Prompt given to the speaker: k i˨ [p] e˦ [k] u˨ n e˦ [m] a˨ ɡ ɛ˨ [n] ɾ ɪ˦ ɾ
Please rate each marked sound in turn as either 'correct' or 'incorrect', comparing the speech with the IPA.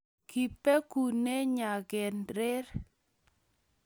correct, correct, incorrect: ɲ, correct

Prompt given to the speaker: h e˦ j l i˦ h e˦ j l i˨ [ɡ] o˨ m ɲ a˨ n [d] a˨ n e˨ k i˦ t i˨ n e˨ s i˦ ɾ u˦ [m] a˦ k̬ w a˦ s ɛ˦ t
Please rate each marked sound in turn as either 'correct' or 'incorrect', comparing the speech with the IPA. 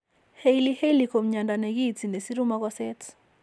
incorrect: k, correct, correct

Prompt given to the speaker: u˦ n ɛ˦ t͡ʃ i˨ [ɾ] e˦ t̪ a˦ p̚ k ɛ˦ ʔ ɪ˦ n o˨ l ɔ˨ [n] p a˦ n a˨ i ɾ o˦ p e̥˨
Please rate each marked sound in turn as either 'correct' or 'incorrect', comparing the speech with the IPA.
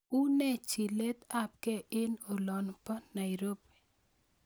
incorrect: l, correct

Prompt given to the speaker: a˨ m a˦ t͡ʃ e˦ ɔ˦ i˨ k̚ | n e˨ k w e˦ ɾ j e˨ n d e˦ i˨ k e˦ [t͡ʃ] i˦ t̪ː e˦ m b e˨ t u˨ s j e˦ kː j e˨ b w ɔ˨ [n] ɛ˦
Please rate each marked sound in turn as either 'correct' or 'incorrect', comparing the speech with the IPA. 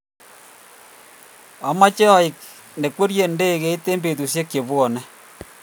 incorrect: none, correct

